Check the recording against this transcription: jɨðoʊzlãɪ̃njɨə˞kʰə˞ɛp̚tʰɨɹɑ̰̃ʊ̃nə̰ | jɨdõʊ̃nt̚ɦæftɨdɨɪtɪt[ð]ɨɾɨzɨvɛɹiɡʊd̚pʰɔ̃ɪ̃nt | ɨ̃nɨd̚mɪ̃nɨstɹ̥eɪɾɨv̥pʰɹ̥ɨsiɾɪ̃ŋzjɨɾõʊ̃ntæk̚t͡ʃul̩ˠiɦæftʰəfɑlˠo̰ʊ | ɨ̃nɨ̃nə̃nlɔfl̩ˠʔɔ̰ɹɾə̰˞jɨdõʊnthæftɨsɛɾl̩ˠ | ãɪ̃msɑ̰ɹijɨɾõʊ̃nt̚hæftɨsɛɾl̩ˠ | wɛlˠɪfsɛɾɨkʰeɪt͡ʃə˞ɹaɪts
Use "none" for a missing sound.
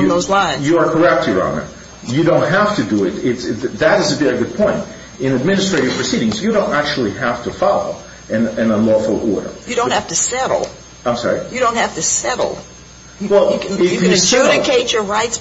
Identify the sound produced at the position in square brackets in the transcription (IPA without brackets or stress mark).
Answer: ð